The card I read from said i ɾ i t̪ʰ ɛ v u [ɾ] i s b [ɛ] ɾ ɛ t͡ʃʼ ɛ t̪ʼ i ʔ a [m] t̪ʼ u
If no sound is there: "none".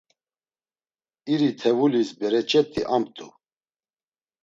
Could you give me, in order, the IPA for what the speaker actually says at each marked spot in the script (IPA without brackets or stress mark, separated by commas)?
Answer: l, ɛ, m